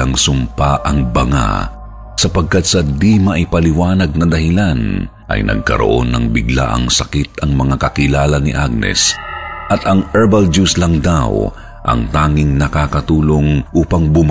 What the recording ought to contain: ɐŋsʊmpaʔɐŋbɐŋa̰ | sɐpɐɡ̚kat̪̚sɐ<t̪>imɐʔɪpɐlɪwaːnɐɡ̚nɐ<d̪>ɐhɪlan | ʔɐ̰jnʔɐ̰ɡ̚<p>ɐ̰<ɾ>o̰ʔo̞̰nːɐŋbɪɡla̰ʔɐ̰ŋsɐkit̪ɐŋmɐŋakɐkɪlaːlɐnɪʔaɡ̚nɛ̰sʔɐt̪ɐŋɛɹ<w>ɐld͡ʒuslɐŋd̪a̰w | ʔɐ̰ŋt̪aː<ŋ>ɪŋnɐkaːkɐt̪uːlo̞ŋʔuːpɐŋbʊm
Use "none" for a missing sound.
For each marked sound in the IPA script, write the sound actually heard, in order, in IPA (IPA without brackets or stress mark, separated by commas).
d̪, d̪, k, ɾ, b, ŋ